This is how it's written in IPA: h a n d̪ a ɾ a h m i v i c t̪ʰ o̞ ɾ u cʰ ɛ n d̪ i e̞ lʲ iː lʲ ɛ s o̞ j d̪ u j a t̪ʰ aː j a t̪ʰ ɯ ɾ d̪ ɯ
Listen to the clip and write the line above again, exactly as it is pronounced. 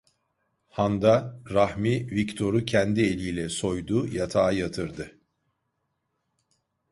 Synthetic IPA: h a n d̪ a ɾ a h m i v i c t̪ʰ o̞ ɾ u cʰ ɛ n d̪ i e̞ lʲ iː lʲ ɛ s o̞ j d̪ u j a t̪ʰ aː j a t̪ʰ ɯ ɾ d̪ ɯ